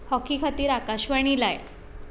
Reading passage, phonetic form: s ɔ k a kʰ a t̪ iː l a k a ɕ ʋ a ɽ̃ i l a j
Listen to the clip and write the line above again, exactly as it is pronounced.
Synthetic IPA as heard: h ɔ k i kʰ a t̪ iː ɾ a k a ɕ ʋ a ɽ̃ i l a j